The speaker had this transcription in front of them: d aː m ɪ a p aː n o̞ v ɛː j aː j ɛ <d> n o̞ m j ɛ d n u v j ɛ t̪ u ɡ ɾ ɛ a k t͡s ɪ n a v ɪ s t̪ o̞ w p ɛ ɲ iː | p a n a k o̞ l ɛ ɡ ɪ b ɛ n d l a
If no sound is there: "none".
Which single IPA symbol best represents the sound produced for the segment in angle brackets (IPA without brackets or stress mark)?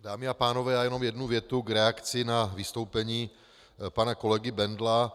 none